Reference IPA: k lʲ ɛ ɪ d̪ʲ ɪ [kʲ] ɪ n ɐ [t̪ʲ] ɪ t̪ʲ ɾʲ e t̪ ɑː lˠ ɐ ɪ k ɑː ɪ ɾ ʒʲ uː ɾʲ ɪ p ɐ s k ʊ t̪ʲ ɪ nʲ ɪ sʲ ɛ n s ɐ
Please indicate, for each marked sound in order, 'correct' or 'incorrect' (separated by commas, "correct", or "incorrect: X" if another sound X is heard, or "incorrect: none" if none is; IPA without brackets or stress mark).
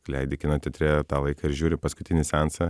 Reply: correct, correct